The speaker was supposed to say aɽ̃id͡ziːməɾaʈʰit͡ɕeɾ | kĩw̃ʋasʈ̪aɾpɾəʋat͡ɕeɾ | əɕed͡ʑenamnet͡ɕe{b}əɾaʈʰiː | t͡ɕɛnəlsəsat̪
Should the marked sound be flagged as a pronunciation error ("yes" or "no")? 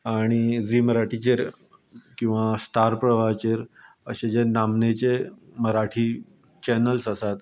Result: yes